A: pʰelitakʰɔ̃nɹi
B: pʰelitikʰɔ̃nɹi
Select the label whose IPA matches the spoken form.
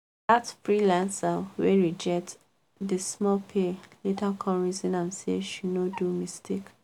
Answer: A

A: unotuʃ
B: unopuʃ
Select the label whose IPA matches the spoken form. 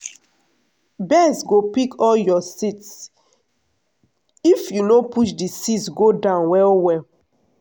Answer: B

